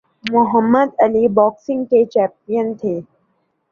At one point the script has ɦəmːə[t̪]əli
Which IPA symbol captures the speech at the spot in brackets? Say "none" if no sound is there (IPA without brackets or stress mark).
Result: d̪